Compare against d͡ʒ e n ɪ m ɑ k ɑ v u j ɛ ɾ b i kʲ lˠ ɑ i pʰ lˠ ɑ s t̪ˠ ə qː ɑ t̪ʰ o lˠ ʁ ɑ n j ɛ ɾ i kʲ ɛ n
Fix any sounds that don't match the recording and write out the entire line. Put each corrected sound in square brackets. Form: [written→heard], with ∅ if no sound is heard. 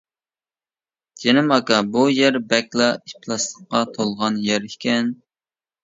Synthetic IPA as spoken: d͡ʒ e n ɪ m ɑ k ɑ [v→b] u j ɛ ɾ b [i→ɛ] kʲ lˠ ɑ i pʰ lˠ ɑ s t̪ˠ ə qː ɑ t̪ʰ o lˠ ʁ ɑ n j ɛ ɾ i kʲ ɛ n